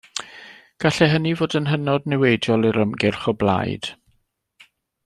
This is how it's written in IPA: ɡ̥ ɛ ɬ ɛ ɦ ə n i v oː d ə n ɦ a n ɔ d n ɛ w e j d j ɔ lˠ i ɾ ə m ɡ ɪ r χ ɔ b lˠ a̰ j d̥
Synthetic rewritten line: ɡ̥ a ɬ ɛ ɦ ə n i v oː d ə n ɦ ə n ɔ d n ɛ w e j d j ɔ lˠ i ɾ ə m ɡ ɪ r χ ɔ b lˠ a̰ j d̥